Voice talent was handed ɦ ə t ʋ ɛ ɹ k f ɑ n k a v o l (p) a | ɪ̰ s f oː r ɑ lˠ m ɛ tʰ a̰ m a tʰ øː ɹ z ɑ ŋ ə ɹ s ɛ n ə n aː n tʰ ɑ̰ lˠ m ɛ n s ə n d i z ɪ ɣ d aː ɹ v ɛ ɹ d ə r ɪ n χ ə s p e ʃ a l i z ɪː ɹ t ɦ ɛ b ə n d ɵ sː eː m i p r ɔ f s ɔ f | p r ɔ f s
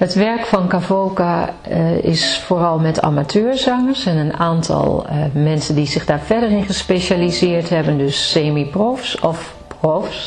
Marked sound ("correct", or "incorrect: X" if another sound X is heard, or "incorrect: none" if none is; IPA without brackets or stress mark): incorrect: k